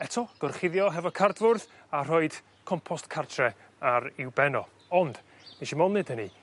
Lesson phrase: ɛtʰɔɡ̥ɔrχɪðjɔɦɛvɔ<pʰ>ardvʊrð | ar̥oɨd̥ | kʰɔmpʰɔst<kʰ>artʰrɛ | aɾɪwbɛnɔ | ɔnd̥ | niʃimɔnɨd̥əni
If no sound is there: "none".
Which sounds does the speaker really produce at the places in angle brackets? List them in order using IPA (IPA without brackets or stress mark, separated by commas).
kʰ, kʰ